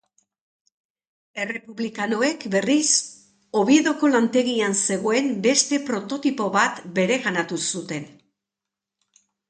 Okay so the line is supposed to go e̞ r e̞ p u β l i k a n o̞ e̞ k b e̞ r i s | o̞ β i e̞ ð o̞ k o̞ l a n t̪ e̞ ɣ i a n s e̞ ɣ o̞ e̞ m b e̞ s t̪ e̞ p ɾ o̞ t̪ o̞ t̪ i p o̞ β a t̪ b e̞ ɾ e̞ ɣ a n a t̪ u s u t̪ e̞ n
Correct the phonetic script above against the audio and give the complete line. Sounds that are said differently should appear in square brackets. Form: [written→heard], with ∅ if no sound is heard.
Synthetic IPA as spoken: e̞ r e̞ p u β l i k a n o̞ e̞ k b e̞ r i s | o̞ β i e̞ ð o̞ k o̞ l a n t̪ e̞ ɣ i a n s e̞ ɣ o̞ e̞ m b e̞ s t̪ e̞ p ɾ o̞ t̪ o̞ t̪ i p o̞ β a t̪ b e̞ ɾ e̞ ɣ a n a t̪ u s u t̪ e̞ n

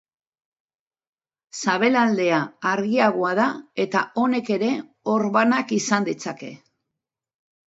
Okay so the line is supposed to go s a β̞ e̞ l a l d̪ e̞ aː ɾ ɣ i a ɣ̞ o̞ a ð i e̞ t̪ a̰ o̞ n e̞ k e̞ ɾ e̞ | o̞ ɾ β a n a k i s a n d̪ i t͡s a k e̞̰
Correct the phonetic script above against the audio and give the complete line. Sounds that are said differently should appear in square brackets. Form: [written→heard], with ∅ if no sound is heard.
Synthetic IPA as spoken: s a β̞ e̞ l a l d̪ e̞ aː ɾ ɣ i a ɣ̞ o̞ a ð [i→a] e̞ t̪ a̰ o̞ n e̞ k e̞ ɾ e̞ | o̞ ɾ β a n a k i s a n d̪ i t͡s a k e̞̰

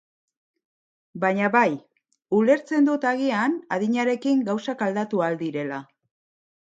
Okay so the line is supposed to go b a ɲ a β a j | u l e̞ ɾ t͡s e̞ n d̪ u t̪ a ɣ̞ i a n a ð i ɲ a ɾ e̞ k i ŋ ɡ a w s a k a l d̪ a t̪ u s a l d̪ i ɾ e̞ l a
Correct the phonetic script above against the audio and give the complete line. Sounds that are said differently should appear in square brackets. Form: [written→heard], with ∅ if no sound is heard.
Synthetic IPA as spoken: b a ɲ a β a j | u l e̞ ɾ t͡s e̞ n d̪ u t̪ a ɣ̞ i a n a ð i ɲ a ɾ e̞ k i ŋ ɡ a w s a k a l d̪ a t̪ u [s→∅] a l d̪ i ɾ e̞ l a

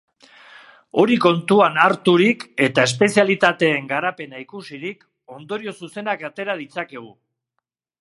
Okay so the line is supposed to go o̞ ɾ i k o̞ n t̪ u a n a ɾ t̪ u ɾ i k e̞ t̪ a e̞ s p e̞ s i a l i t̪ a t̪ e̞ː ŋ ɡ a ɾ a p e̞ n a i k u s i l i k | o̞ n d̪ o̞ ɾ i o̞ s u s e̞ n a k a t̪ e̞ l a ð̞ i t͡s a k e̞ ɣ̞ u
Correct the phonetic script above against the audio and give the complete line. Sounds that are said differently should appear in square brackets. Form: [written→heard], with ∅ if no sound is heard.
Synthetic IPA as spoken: o̞ ɾ i k o̞ n t̪ u a n a ɾ t̪ u ɾ i k e̞ t̪ a e̞ s p e̞ s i a l i t̪ a t̪ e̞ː ŋ ɡ a ɾ a p e̞ n a i k u s i [l→ɾ] i k | o̞ n d̪ o̞ ɾ i o̞ s u s e̞ n a k a t̪ e̞ [l→ɾ] a ð̞ i t͡s a k e̞ ɣ̞ u

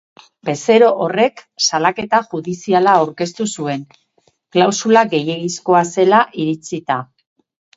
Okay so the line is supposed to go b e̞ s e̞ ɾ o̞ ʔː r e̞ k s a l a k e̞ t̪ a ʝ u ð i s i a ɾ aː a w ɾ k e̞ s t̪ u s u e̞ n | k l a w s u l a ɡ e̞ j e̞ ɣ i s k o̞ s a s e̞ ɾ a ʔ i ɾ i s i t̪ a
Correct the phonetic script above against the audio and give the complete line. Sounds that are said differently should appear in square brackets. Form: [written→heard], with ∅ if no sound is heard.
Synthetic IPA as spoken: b e̞ s e̞ ɾ o̞ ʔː r e̞ k s a l a k e̞ t̪ a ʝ u ð i s i a [ɾ→l] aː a w ɾ k e̞ s t̪ u s u e̞ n | k l a w s u l a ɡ e̞ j e̞ ɣ i s k o̞ [s→∅] a s e̞ [ɾ→l] a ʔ i ɾ i [s→t͡s] i t̪ a

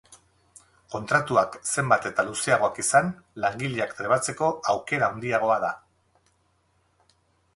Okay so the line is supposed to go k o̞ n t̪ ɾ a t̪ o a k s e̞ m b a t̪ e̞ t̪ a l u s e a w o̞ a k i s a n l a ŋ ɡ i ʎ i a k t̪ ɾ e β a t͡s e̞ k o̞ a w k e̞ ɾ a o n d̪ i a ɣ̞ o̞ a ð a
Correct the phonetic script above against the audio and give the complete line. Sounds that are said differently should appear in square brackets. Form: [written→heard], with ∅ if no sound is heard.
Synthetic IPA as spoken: k o̞ n t̪ ɾ a t̪ [o→u] a k s e̞ m b a t̪ e̞ t̪ a l u s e a [w→ɣ] o̞ a k i s a n l a ŋ ɡ i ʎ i a k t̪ ɾ e β a t͡s e̞ k o̞ a w k e̞ ɾ a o n d̪ i a ɣ̞ o̞ a ð a

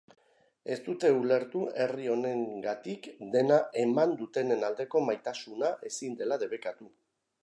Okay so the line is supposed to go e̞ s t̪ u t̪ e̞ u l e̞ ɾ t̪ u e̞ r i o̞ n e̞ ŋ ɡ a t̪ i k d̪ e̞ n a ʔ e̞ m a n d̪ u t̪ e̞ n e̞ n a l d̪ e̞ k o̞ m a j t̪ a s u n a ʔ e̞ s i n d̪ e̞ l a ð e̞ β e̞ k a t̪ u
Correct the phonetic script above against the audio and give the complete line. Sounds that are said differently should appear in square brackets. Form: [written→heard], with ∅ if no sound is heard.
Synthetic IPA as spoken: e̞ s t̪ u t̪ e̞ u l e̞ ɾ t̪ u e̞ r i o̞ n e̞ ŋ ɡ a t̪ i k d̪ e̞ n a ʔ e̞ m a n d̪ u t̪ e̞ n e̞ n a l d̪ e̞ k o̞ m a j t̪ a s u n a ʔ e̞ s i n d̪ e̞ l a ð e̞ β e̞ k a t̪ u

